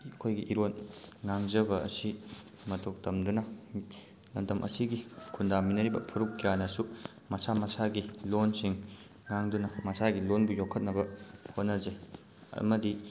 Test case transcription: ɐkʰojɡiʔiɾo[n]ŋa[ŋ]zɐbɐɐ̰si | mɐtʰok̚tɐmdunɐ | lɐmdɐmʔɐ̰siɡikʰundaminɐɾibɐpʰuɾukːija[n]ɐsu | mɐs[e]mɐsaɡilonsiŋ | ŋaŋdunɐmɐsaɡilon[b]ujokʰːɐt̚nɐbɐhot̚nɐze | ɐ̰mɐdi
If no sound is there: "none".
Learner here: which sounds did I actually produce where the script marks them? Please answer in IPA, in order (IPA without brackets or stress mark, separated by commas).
n, ŋ, n, a, b